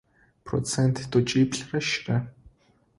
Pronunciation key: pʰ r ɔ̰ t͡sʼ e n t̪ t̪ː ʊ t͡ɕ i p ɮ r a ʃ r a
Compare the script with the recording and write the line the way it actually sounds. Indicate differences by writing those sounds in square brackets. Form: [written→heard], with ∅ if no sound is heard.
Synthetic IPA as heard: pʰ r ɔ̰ [t͡sʼ→t͡s] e n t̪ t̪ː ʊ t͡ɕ i p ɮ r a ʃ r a